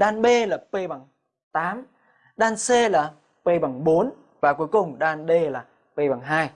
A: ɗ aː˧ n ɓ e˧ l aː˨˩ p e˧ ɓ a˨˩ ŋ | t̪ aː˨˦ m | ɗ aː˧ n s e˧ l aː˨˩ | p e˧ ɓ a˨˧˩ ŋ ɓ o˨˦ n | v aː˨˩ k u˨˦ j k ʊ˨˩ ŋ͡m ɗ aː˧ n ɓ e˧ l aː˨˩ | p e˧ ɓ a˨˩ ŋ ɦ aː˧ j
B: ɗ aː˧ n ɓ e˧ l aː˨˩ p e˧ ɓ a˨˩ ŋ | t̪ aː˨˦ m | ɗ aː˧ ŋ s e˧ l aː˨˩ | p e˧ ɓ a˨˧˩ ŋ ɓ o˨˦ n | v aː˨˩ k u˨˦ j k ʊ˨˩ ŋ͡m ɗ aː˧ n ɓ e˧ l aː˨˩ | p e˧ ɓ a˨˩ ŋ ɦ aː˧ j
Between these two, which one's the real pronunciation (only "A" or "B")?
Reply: A